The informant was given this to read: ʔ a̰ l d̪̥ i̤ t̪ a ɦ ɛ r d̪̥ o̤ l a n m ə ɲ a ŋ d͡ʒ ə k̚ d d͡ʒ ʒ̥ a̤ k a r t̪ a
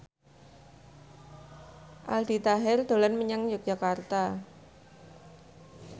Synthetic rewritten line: ʔ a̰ l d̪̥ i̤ t̪ a ɦ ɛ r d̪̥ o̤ l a n m ə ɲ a ŋ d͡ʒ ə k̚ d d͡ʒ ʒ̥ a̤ k a r t̪ a

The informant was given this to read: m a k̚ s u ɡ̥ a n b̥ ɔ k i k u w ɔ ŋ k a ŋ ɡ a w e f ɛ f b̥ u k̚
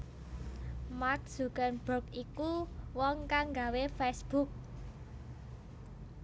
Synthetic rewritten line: m a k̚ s u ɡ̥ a n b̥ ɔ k i k u w ɔ ŋ k a ŋ ɡ a w e f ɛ s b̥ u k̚

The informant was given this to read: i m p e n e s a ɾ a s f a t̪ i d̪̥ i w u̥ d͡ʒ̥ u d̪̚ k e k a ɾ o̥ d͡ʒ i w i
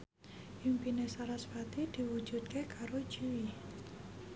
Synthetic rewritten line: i m p i n e s a ɾ a s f a t̪ i d̪̥ i w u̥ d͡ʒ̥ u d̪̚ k e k a ɾ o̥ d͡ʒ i w i

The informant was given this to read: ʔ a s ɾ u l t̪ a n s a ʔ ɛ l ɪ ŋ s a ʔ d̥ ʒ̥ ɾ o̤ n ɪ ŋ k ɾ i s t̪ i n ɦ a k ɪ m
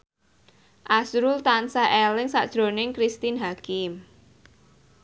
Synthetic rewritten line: ʔ a s ɾ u l t̪ a n s a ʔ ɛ l ɪ ŋ s a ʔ d̥ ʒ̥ ɾ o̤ n ɪ ŋ k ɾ i s t̪ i n ɦ a k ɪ m

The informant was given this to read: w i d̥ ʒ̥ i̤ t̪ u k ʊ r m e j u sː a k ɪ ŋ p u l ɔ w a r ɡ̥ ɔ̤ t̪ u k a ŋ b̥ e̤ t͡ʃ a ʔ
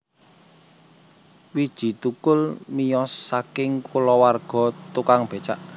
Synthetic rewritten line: w i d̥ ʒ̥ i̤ t̪ u k ʊ l m i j ɔ sː a k ɪ ŋ k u l ɔ w a r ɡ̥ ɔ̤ t̪ u k a ŋ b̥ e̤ t͡ʃ a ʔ

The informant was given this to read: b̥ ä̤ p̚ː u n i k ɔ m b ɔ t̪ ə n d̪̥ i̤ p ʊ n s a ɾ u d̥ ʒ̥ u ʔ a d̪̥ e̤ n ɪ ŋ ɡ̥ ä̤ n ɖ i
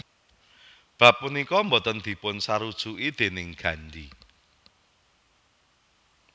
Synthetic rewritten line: b̥ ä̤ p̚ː u n i k ɔ m b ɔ t̪ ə n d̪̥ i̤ p ʊ n s a ɾ u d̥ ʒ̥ u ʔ i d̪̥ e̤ n ɪ ŋ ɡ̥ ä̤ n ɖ i

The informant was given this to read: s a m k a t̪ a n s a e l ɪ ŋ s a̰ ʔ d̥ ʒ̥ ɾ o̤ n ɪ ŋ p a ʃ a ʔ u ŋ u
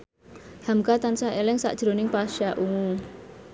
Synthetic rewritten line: h a m k a t̪ a n s a e l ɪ ŋ s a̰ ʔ d̥ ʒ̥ ɾ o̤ n ɪ ŋ p a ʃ a ʔ u ŋ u

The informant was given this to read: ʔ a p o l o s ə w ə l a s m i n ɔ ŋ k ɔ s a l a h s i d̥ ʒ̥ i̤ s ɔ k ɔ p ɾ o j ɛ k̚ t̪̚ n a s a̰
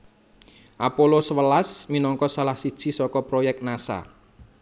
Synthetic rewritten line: ʔ a p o l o s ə w ə l a s m i n ɔ ŋ k ɔ s a l a h s i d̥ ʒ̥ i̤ s ɔ k ɔ p ɾ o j ɛ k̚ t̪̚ n a s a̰

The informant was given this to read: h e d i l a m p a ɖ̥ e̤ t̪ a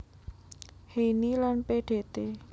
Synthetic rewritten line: h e n i l a n p e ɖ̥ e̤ t̪ e

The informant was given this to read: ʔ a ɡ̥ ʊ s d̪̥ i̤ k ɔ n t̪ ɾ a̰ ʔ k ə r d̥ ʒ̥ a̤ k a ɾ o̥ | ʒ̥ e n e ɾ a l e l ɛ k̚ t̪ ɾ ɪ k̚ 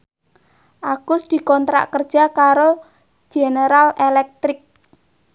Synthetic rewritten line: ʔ a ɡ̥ ʊ s d̪̥ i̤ k ɔ n t̪ ɾ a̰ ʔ k ə r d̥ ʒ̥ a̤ k a ɾ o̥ | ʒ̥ e n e ɾ a l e l ɛ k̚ t̪ ɾ ɪ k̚

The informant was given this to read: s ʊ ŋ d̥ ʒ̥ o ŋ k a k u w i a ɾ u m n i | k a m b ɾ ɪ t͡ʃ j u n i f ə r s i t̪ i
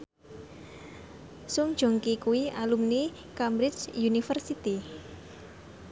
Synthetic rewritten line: s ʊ ŋ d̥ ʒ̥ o ŋ k i k u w i a l u m n i | k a m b ɾ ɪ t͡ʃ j u n i f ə r s i t̪ i

